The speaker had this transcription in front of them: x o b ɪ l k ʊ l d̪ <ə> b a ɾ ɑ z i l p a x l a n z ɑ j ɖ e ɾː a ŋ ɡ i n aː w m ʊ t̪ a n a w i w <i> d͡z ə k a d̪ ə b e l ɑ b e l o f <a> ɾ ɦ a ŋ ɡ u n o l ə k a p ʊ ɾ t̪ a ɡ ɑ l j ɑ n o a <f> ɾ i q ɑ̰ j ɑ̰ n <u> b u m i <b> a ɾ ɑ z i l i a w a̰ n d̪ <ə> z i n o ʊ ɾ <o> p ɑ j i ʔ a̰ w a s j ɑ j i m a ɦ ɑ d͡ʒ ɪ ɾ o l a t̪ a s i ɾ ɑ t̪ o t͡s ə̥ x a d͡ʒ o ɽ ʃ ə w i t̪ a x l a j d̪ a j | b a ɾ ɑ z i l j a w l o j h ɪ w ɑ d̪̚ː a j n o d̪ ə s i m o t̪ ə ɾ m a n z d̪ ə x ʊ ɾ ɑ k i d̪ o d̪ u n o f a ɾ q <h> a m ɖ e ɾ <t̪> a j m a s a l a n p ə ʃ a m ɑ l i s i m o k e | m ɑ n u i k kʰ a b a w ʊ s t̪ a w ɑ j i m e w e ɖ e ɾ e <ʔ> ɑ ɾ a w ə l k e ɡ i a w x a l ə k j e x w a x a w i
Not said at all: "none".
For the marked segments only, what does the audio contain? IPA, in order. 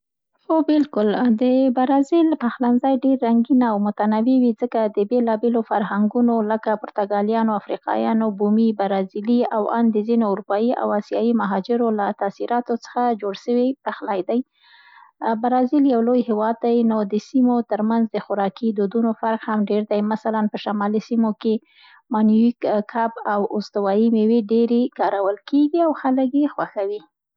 ə, i, a, f, o, b, ə, u, h, d̪, k

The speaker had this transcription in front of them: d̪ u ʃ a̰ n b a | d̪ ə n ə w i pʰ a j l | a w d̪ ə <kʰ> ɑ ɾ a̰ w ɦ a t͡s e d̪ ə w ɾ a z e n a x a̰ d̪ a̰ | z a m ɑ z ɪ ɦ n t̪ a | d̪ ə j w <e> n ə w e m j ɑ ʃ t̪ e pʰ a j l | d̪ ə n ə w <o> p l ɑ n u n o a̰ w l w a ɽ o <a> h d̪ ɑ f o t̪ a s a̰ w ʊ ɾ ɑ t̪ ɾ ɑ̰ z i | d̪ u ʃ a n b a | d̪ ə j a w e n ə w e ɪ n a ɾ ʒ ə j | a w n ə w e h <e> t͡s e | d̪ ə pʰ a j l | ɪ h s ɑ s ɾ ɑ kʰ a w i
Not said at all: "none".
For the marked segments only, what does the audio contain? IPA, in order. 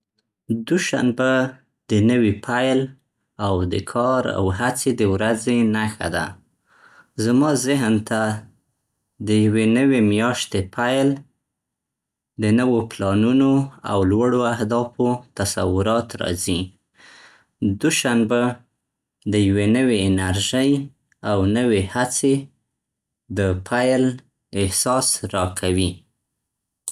kʰ, e, o, a, a

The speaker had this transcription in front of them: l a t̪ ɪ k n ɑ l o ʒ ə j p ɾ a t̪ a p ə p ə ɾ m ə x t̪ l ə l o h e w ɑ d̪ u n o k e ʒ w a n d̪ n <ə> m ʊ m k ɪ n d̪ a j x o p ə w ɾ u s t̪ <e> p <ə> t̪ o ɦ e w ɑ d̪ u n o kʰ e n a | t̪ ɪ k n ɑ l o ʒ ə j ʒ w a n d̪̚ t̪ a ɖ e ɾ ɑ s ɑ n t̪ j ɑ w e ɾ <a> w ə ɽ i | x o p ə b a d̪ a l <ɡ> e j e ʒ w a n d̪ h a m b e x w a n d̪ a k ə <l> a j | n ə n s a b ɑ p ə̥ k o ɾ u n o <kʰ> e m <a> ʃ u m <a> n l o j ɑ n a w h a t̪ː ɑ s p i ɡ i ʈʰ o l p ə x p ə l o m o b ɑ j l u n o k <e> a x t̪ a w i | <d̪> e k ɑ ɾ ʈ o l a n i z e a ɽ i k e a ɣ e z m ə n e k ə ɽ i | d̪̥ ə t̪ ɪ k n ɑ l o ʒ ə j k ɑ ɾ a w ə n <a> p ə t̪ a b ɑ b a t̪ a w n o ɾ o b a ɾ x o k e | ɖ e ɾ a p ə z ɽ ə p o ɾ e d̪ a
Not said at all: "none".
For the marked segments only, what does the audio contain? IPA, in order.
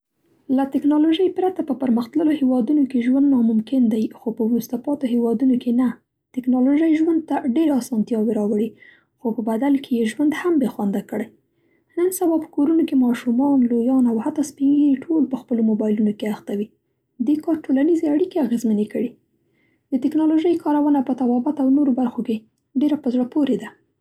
ɑ, a, ɑ, ɑ, k, ɽ, k, ɑ, ɑ, e, d̪, a

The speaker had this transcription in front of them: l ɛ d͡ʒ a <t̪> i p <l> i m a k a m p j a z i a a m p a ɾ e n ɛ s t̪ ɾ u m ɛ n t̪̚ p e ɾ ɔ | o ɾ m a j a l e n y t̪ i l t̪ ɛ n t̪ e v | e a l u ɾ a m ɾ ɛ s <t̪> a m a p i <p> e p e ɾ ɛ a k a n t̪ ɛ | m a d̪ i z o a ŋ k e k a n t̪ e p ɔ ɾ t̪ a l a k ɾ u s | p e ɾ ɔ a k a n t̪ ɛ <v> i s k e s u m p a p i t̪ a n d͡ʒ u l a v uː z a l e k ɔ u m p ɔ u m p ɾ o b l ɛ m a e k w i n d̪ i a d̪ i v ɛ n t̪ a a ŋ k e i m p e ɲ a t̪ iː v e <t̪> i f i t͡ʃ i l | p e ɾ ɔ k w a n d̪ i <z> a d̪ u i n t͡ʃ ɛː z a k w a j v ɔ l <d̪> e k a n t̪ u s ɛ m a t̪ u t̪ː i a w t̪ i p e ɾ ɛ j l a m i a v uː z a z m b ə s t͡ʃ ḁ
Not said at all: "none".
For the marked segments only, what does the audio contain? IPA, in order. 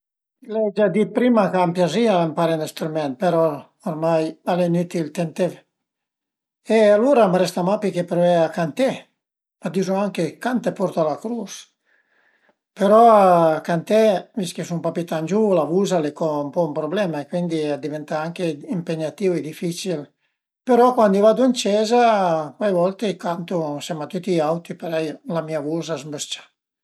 d̪, ɾ, t̪, k, v, d̪, v, t̪

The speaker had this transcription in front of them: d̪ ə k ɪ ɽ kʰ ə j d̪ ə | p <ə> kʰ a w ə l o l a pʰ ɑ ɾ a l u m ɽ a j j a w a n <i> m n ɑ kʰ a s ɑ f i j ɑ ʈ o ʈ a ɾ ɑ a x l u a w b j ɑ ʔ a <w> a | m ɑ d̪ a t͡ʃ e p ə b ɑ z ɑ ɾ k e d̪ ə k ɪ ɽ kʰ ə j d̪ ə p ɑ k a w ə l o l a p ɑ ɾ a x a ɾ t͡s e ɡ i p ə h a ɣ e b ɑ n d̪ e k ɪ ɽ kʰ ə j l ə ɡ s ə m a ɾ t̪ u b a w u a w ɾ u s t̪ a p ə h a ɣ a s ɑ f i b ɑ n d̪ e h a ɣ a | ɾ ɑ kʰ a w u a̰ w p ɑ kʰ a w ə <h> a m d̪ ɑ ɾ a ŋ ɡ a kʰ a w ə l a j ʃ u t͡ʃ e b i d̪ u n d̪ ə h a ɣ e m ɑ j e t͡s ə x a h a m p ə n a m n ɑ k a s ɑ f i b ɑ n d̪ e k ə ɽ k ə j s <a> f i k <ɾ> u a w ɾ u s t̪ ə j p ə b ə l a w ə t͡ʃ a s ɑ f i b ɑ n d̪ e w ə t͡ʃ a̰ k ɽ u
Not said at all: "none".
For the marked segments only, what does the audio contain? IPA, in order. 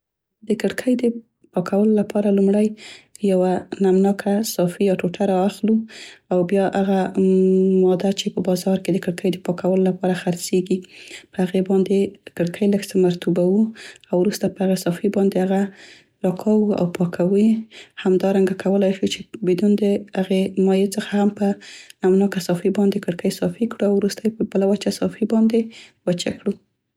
ɑ, a, ɣ, h, ɑ, ɽ

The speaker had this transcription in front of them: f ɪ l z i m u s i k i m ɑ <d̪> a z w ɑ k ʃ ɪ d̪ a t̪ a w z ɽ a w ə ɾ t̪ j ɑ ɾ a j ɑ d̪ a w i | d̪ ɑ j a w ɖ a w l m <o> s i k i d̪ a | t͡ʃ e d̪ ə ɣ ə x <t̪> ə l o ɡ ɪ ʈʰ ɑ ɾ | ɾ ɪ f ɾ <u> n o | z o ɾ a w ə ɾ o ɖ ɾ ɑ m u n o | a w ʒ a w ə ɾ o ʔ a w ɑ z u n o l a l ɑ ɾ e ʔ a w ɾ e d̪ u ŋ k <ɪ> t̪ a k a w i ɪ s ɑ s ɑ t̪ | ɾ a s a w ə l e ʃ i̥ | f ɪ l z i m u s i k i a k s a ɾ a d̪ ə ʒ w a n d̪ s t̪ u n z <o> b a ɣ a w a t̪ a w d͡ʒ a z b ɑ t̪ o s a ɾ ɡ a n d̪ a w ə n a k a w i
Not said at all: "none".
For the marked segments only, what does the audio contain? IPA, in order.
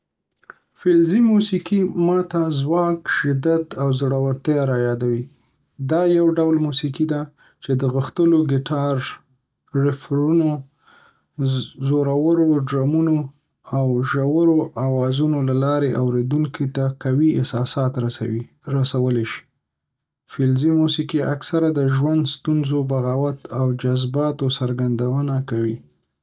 t̪, u, t̪, u, i, o

